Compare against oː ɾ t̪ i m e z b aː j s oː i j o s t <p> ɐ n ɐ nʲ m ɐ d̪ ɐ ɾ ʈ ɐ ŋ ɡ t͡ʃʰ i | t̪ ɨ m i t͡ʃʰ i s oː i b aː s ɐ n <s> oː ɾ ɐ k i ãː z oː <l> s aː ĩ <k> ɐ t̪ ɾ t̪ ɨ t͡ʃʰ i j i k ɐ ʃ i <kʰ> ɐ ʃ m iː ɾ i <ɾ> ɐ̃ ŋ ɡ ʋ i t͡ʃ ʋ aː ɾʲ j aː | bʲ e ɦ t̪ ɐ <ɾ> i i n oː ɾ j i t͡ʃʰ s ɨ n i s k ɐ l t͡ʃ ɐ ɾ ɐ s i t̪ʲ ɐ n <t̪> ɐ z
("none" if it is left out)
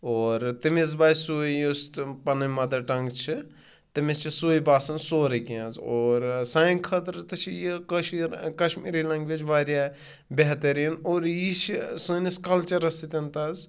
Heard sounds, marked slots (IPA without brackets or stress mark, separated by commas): p, s, ɾ, kʰ, k, l, ɾ, t̪